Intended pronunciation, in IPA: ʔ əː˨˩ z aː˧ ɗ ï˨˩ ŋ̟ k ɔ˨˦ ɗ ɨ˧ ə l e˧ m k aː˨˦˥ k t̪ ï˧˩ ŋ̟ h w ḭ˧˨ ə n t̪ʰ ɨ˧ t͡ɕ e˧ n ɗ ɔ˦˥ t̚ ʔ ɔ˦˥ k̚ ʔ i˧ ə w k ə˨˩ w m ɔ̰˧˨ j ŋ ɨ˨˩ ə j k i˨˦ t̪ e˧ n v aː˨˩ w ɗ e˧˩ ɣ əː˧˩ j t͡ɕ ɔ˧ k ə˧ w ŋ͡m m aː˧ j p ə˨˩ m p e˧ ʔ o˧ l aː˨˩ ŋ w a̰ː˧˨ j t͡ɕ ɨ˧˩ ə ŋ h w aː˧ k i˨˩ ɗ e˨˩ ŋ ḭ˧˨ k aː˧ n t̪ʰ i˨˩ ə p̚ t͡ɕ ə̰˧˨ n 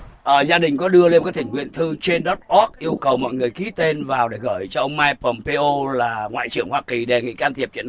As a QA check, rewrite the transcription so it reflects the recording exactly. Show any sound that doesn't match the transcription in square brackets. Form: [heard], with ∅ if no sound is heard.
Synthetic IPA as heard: ʔ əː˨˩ z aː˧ ɗ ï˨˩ ŋ̟ k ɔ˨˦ ɗ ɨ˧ ə l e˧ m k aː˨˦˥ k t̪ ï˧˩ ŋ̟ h w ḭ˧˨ ə n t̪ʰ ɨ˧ t͡ɕ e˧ n ɗ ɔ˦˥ t̚ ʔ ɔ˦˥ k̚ ʔ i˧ ə w k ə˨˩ w m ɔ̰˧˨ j ŋ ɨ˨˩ ə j k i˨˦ t̪ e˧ n v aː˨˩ w ɗ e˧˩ ɣ əː˧˩ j t͡ɕ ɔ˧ [ʔ] ə˧ w ŋ͡m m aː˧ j p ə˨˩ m p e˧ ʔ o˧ l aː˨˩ ŋ w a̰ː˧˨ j t͡ɕ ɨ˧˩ ə ŋ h w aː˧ k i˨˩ ɗ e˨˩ ŋ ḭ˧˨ k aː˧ n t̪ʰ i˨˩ ə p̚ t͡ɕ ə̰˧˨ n